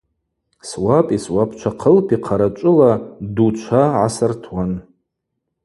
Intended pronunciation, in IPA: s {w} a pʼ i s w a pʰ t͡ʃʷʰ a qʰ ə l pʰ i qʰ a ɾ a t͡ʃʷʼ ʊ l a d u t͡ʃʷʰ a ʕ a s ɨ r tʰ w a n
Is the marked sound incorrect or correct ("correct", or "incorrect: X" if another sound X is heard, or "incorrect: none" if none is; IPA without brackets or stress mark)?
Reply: correct